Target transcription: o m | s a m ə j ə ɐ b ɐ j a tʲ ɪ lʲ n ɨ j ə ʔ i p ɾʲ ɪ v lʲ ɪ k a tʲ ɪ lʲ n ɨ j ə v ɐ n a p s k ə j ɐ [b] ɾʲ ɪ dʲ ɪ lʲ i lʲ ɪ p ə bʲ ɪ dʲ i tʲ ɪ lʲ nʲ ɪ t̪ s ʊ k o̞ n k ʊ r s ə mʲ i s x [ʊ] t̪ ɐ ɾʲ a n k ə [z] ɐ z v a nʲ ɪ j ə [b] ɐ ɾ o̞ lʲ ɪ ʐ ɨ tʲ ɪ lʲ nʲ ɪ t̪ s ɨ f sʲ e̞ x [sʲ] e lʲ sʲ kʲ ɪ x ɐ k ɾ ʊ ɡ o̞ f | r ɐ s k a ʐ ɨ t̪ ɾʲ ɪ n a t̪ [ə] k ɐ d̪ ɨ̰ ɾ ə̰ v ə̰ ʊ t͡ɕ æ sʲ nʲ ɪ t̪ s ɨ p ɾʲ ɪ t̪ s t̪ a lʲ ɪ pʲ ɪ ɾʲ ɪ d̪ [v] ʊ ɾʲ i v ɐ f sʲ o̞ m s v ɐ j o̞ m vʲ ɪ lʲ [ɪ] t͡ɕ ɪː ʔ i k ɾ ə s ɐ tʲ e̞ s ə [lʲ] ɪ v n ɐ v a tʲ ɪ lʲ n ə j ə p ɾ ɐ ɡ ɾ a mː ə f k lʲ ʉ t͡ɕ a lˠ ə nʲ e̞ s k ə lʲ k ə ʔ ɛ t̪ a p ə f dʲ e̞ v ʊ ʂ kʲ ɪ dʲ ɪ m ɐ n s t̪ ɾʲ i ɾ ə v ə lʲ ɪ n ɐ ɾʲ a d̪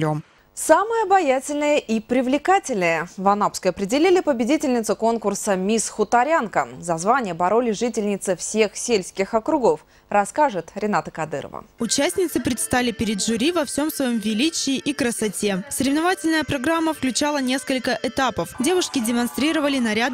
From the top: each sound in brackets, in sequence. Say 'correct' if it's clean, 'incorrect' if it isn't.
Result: incorrect: p, correct, correct, correct, correct, correct, incorrect: ʐ, incorrect: i, incorrect: ɾʲ

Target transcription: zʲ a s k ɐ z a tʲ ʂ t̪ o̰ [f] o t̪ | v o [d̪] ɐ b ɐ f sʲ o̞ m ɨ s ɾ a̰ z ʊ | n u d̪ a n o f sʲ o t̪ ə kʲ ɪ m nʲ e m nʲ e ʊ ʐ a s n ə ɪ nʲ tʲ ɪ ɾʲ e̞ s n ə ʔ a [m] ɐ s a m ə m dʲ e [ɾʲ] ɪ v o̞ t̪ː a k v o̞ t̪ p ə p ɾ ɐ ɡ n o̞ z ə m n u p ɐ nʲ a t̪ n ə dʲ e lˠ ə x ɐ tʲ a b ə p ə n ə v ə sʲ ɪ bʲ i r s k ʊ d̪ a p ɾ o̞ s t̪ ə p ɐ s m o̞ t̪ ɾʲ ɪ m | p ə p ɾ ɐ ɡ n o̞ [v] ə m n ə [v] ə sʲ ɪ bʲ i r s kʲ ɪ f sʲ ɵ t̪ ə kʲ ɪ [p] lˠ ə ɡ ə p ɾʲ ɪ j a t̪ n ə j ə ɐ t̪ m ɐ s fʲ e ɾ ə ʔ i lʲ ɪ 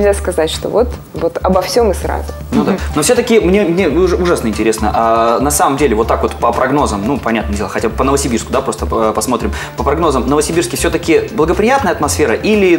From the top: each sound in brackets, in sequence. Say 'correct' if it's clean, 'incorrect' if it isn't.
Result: incorrect: v, incorrect: t̪, incorrect: n, incorrect: lʲ, incorrect: z, correct, incorrect: b

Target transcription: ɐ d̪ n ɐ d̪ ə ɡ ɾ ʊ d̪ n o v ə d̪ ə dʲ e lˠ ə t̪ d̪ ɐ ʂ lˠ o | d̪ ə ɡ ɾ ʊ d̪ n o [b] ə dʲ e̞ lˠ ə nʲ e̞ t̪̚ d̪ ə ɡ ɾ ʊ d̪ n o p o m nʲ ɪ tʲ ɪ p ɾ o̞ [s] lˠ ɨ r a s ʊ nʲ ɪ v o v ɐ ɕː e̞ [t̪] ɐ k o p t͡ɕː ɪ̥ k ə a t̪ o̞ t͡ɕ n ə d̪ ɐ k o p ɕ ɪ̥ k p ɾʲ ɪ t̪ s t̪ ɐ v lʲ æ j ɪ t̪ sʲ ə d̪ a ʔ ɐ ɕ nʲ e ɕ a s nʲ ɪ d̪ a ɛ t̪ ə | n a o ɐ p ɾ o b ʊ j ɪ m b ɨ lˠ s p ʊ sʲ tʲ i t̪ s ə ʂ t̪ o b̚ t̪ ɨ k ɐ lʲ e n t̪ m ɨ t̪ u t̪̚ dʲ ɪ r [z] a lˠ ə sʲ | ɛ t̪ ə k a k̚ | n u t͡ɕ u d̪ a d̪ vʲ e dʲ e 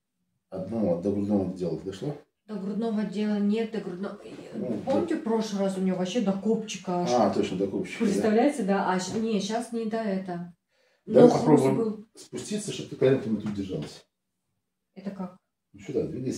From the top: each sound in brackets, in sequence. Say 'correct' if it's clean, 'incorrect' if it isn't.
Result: incorrect: v, incorrect: ʂ, incorrect: d̪, incorrect: ʐ

